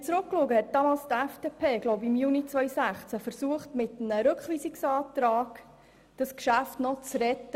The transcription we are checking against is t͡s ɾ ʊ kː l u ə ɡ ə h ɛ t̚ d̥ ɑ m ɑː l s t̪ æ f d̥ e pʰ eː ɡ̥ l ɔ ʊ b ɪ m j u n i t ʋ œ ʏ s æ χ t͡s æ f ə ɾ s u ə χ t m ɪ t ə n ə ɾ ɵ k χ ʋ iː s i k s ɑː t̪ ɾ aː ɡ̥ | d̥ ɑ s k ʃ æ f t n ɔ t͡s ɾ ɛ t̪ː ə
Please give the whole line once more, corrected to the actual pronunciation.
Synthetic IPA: t͡s ɾ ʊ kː l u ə ɡ ə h ɛ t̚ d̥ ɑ m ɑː l s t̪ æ f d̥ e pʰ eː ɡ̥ l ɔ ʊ b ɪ m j u n i t͡s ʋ œ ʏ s æ χ t͡s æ f ə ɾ s u ə χ t m ɪ t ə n ə ɾ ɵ k χ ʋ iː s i k s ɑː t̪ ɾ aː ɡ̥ | d̥ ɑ s k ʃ æ f t n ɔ t͡s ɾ ɛ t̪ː ə